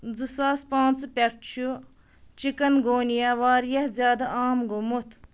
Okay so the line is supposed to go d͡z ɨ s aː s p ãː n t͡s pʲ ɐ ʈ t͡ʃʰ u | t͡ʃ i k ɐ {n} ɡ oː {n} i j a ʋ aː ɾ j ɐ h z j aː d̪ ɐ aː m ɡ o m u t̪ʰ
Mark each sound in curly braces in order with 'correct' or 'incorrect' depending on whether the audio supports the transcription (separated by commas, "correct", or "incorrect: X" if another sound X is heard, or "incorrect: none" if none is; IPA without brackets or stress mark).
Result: correct, correct